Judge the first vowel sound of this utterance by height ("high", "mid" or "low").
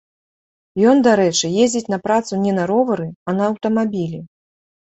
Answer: mid